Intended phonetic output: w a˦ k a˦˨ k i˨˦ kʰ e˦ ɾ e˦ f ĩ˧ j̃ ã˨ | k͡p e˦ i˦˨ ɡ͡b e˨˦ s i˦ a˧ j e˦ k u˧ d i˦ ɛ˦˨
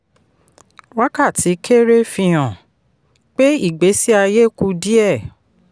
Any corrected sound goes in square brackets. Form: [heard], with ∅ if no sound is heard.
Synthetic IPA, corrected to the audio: w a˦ k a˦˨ [t] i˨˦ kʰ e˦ ɾ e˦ f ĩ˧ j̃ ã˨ | k͡p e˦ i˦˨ ɡ͡b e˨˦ s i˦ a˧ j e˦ k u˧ d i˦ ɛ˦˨